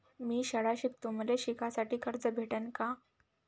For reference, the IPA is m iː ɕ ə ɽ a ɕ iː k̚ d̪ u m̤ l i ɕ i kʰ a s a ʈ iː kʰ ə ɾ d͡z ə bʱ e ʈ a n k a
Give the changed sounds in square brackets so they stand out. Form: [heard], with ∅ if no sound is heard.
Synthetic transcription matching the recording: m iː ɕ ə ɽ a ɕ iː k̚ [t̪] u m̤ l [e] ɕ i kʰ a s a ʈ iː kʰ ə ɾ d͡z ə bʱ e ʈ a n k a